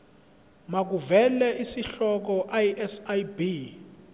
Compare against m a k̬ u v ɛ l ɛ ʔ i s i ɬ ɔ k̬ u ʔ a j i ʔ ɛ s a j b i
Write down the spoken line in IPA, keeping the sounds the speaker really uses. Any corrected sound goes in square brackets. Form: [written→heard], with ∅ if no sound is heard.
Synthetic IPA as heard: m a k̬ u v ɛ l ɛ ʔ i s i ɬ ɔ k̬ [u→ɔ] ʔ a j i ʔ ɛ s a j b i